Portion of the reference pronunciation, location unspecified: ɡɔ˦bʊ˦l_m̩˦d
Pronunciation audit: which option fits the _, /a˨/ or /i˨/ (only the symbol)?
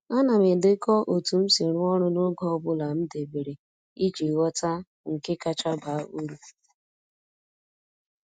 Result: a˨